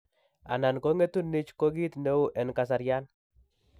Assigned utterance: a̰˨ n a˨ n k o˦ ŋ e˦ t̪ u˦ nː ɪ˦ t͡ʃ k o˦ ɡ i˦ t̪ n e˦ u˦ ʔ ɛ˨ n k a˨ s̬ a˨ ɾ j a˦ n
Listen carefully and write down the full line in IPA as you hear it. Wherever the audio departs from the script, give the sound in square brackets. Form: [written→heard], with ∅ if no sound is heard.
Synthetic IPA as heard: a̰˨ n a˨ n k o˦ ŋ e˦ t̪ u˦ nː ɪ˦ t͡ʃ k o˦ ɡ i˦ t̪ n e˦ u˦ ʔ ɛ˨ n k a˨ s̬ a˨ ɾ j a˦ n